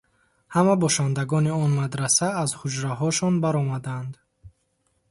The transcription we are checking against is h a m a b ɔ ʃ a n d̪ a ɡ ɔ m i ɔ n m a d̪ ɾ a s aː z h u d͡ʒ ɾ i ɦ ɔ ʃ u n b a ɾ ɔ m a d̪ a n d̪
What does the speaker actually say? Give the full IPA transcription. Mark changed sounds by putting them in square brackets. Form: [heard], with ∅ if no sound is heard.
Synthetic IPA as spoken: h a m a b ɔ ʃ a n d̪ a ɡ ɔ [n] i ɔ n m a d̪ ɾ a s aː z h u d͡ʒ ɾ [a] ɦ ɔ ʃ [ɔ] n b a ɾ ɔ m a d̪ a n d̪